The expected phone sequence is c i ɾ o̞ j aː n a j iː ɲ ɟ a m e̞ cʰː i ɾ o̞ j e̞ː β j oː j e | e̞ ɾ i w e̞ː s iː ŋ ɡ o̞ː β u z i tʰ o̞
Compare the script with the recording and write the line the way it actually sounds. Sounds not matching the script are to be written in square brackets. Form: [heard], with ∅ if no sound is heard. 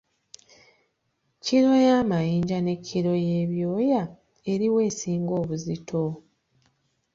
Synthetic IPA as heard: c i ɾ o̞ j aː [m] a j iː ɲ ɟ a [n] e̞ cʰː i ɾ o̞ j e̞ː β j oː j [a] | e̞ ɾ i w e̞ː s iː ŋ ɡ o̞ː β u z i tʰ o̞